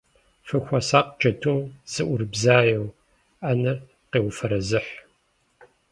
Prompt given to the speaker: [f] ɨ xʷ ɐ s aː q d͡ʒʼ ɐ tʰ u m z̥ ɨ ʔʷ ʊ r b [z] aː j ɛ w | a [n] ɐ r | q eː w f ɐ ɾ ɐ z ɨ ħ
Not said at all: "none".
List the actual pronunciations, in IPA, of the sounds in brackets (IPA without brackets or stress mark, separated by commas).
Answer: f, z, n